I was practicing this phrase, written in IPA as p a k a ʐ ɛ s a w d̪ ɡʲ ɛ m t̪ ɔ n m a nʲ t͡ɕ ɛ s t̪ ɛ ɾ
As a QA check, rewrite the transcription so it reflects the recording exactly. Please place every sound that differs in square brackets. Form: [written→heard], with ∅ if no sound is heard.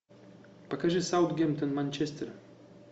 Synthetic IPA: p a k a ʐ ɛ s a w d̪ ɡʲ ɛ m t̪ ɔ n m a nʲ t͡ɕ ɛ s t̪ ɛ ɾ